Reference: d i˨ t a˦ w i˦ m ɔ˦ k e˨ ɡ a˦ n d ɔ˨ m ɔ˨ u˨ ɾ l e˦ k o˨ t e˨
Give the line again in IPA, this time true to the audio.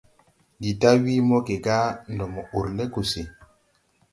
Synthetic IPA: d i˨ t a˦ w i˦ m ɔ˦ k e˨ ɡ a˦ n d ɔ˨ m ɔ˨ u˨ ɾ l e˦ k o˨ s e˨